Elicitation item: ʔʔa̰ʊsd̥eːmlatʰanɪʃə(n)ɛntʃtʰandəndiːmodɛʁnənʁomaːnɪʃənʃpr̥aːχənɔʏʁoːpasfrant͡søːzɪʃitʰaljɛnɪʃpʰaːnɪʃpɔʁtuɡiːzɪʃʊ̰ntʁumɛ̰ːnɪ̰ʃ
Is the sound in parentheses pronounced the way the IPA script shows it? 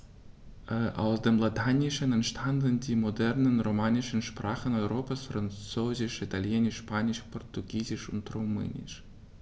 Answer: yes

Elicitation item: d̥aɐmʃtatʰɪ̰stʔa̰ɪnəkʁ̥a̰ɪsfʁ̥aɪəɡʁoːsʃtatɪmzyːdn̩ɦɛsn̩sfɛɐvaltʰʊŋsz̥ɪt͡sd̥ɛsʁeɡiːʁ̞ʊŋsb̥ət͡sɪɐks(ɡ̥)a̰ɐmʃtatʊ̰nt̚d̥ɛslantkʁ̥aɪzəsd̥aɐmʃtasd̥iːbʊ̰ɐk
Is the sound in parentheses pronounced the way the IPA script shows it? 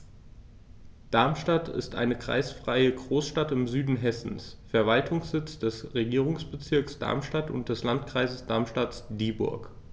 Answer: no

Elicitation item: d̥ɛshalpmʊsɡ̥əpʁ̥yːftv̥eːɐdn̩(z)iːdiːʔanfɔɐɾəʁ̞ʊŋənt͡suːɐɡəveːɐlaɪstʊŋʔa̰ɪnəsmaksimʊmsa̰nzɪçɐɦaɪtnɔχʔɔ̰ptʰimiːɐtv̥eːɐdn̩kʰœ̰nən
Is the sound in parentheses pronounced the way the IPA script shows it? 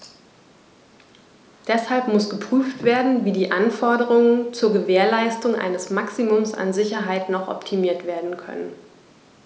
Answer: no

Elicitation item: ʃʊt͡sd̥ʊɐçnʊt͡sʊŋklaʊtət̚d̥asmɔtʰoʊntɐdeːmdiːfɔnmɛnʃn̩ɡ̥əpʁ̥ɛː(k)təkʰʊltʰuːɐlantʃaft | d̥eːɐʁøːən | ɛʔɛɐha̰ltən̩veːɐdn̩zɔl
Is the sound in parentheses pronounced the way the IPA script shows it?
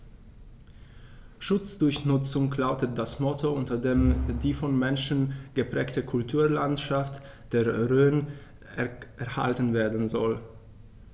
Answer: yes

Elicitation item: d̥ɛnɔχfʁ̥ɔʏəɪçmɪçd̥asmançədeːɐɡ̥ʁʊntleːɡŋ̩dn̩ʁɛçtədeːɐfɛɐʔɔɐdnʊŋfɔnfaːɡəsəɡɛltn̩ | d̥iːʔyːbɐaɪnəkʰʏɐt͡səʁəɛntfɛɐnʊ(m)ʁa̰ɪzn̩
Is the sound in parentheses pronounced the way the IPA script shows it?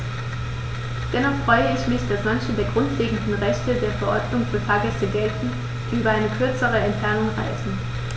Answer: no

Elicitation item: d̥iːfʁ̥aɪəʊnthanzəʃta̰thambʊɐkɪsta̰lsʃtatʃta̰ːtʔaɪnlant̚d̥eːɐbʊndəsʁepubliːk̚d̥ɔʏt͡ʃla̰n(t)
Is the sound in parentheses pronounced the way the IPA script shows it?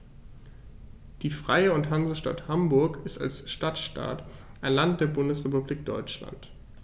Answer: yes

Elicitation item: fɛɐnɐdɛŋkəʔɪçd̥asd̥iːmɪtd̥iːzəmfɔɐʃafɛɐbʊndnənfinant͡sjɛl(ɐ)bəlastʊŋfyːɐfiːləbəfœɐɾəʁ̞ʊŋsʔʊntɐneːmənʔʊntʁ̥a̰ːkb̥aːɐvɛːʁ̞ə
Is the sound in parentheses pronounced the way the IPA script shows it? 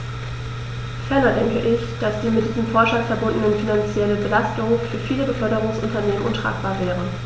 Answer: no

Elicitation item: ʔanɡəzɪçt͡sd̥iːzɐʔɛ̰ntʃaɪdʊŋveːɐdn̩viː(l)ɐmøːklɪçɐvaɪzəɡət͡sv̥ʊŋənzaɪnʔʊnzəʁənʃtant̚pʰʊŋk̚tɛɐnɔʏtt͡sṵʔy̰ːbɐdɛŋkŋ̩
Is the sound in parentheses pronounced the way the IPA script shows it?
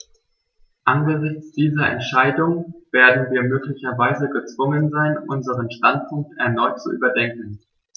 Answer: no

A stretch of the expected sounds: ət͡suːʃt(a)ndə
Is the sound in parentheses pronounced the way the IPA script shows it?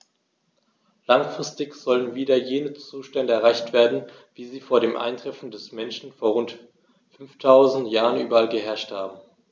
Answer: no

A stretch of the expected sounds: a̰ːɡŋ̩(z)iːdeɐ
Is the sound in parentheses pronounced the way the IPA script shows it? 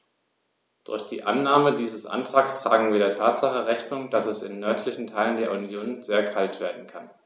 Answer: no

